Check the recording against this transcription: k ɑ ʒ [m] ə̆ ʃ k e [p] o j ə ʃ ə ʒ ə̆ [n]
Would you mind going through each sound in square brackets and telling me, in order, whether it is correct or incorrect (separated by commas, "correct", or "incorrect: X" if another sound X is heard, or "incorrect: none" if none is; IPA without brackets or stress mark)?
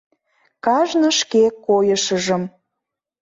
incorrect: n, incorrect: k, incorrect: m